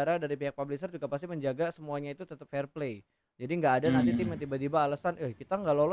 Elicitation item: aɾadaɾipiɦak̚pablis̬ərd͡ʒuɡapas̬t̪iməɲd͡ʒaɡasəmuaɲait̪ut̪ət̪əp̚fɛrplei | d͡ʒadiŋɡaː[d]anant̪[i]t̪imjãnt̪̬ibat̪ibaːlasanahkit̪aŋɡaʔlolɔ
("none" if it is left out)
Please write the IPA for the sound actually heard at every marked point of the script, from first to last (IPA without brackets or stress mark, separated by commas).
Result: d, i